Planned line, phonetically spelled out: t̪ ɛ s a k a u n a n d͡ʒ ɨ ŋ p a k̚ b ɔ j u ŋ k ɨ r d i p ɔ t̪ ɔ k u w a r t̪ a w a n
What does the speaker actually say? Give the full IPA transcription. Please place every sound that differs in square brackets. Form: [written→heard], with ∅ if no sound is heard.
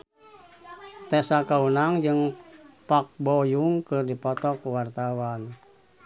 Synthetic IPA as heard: t̪ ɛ s a k a u n a [n→ŋ] d͡ʒ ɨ ŋ p a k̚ b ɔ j u ŋ k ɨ r d i p ɔ t̪ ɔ k u w a r t̪ a w a n